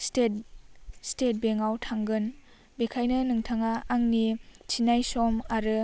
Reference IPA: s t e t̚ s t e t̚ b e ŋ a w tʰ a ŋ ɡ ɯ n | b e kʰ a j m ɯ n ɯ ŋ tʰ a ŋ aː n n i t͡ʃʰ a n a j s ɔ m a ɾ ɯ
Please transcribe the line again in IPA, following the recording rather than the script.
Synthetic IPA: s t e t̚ s t e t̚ b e ŋ a w tʰ a ŋ ɡ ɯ n | b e kʰ a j n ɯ n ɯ ŋ tʰ a ŋ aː ŋ n i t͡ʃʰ i n a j s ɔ m a ɾ ɯ

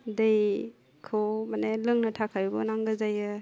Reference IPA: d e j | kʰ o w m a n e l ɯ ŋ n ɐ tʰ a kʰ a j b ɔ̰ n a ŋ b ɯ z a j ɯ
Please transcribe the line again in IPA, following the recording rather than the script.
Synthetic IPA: d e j | kʰ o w m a n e l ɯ ŋ n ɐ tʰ a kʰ a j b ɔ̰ n a ŋ ɡ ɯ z a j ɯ

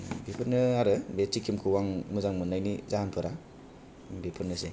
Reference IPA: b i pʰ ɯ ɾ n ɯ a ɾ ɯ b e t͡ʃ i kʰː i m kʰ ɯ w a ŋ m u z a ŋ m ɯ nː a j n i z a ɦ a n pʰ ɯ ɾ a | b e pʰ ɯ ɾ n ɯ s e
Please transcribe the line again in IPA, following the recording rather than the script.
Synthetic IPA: b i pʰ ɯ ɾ n ɯ a ɾ ɯ b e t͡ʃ i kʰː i m kʰ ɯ w a ŋ m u z a ŋ m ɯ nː a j n i z a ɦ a n pʰ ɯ ɾ a | b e pʰ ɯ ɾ n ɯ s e

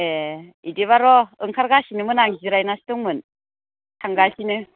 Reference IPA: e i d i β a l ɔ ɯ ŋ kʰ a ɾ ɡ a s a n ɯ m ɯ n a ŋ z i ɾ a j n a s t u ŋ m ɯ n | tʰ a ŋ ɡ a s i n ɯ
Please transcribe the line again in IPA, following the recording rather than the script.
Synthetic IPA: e i d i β a ɾ ɔ ɯ ŋ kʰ a ɾ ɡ a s i n ɯ m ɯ n a ŋ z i ɾ a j n a s t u ŋ m ɯ n | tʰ a ŋ ɡ a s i n ɯ

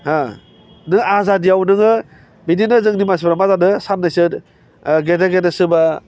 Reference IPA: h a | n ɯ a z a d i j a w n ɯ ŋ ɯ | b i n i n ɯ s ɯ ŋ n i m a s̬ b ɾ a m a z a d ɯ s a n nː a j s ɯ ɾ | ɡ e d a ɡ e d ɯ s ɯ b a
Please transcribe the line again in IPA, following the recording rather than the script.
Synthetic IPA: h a | n ɯ a z a d i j a w n ɯ ŋ ɯ | b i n i n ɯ z ɯ ŋ n i m a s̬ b ɾ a m a z a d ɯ s a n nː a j s ɯ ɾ | ɡ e d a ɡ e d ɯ s ɯ b a

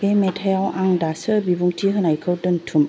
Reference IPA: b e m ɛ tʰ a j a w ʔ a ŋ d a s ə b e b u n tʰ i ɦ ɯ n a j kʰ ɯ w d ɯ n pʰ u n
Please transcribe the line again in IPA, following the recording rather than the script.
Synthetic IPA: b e m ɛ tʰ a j a w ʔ a ŋ d a s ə b i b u ŋ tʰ i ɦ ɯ n a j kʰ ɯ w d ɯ n tʰ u m

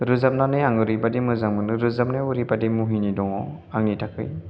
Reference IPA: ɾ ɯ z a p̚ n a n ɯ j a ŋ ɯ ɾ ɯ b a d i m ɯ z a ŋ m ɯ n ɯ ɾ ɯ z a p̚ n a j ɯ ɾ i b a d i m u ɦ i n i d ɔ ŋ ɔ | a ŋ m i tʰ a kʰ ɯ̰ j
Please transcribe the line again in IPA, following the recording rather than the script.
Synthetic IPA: ɾ ɯ z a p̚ n a n ɯ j a ŋ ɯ ɾ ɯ b a d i m ɯ z a ŋ m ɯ n ɯ ɾ ɯ z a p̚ n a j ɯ ɾ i b a d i m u ɦ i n i d ɔ ŋ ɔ | a ŋ n i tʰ a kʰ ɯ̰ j

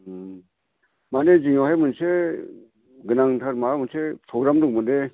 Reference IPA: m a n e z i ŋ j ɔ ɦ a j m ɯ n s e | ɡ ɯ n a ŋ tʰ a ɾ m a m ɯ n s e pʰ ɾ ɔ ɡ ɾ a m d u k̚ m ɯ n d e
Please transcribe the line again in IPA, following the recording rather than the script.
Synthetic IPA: m a n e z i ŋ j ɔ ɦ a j m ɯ n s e | ɡ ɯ n a ŋ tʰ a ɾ m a m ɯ n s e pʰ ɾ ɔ ɡ ɾ a m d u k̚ m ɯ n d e

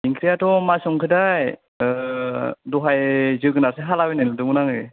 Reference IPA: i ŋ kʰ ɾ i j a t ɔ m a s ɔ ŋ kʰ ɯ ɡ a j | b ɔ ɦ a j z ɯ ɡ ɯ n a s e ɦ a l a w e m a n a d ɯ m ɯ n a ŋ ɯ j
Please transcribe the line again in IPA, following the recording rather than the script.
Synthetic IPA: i ŋ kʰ ɾ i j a t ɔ m a s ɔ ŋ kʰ ɯ d a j | d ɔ ɦ a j z ɯ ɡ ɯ n a s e ɦ a l a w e n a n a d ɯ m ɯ n a ŋ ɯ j

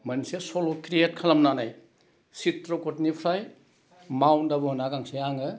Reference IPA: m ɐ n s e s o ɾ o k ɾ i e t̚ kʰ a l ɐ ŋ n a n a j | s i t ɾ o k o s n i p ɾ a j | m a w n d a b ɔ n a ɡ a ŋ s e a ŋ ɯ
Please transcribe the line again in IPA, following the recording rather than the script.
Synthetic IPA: m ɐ n s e s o l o k ɾ i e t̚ kʰ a l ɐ m n a n a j | s i t ɾ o k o t n i pʰ ɾ a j | m a w n d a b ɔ n a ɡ a ŋ s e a ŋ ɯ

